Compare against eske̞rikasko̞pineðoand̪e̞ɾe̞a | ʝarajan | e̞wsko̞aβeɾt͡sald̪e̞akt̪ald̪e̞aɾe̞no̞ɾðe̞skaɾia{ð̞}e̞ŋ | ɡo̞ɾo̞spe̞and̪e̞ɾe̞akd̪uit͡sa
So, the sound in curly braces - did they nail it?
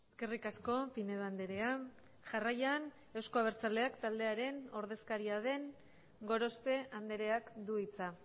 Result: yes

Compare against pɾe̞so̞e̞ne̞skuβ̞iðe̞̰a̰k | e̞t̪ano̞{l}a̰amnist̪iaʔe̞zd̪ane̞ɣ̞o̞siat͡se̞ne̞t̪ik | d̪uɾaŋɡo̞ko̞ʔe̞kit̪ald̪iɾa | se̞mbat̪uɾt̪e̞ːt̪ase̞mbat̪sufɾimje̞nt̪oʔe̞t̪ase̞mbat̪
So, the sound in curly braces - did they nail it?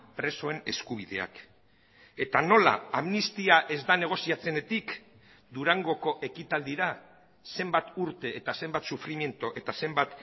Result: yes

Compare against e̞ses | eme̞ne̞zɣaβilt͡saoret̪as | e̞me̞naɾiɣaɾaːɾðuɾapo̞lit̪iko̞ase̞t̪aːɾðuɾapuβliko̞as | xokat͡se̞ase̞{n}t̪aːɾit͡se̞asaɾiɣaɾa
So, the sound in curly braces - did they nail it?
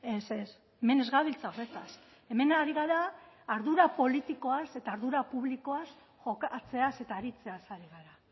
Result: no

